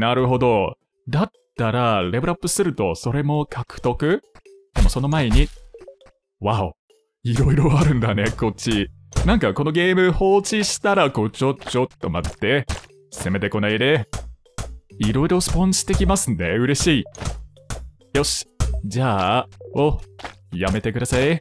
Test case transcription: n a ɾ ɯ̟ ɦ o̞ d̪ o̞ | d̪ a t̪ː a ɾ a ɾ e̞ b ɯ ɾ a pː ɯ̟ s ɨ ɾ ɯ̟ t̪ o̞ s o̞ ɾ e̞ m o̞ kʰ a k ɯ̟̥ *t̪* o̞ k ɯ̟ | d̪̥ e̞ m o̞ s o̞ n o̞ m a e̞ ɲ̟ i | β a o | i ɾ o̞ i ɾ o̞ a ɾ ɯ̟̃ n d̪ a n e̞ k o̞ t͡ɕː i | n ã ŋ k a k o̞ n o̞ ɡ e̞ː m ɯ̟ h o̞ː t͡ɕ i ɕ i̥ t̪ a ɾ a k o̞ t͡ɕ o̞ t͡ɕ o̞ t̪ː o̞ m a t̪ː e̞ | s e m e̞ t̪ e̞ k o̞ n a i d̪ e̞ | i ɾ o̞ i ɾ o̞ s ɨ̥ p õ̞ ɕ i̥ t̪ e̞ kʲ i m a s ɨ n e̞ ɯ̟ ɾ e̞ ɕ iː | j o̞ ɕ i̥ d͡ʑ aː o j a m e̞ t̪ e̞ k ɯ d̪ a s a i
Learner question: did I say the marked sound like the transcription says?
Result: yes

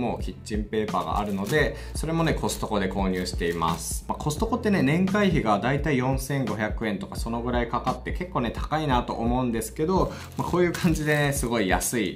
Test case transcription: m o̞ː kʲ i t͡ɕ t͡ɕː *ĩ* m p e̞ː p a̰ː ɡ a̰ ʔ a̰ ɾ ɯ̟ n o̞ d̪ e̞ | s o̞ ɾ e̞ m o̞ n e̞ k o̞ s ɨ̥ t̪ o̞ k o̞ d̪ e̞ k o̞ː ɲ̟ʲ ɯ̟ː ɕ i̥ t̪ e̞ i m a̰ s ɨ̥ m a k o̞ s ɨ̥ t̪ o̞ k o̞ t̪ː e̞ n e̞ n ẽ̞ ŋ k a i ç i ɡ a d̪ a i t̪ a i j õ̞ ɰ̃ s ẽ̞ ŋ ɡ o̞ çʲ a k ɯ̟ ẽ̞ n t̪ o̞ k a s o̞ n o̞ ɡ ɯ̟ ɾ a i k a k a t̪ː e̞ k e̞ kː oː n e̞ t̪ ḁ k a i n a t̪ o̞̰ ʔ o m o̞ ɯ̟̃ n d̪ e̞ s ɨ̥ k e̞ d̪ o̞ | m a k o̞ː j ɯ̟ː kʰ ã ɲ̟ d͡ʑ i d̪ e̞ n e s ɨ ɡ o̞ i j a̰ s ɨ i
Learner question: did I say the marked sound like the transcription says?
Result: yes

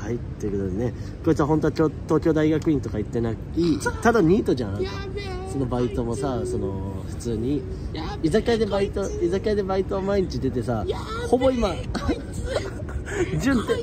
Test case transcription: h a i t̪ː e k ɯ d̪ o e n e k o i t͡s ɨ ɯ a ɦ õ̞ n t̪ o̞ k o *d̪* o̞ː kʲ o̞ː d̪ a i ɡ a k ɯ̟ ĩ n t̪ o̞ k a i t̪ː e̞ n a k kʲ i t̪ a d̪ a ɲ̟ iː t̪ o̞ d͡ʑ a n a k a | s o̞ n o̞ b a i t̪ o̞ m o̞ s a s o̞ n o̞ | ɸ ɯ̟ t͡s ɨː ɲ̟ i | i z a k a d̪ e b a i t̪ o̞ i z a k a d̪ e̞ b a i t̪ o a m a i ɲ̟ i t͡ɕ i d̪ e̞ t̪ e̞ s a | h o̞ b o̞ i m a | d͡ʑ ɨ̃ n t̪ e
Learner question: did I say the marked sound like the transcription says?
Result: no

